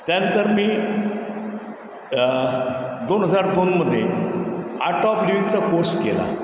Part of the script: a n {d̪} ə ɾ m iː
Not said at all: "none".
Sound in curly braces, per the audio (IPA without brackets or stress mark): t̪